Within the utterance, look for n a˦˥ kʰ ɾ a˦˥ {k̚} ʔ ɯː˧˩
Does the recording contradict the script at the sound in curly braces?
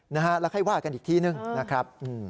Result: yes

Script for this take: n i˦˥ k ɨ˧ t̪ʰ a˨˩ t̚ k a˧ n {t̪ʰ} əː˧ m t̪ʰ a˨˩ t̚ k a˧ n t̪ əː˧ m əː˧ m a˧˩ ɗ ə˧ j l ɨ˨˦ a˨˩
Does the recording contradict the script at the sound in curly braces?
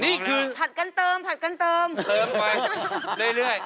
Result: yes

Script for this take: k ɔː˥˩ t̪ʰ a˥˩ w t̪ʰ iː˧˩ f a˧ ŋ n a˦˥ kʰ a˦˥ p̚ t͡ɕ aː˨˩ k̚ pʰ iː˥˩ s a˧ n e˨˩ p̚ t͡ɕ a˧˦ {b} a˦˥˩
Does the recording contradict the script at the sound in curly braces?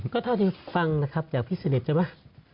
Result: yes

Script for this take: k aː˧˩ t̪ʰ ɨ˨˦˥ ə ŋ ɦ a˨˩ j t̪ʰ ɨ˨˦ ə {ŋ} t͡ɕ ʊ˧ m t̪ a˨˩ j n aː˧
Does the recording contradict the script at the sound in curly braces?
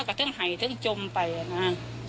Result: no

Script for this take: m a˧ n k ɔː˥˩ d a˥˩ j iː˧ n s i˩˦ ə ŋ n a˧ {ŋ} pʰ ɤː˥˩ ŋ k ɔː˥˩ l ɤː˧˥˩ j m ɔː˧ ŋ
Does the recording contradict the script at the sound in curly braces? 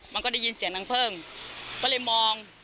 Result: no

